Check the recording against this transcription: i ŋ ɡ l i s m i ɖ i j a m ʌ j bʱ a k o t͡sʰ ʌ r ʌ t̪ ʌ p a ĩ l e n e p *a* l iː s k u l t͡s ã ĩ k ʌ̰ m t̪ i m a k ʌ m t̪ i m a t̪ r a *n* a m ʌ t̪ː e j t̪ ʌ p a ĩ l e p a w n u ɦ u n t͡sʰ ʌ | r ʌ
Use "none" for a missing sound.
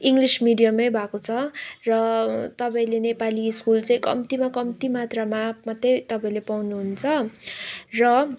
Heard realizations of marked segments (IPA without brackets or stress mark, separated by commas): a, m